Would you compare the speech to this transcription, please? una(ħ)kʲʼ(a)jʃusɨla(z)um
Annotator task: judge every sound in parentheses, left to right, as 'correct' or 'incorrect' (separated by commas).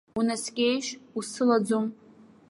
incorrect, incorrect, incorrect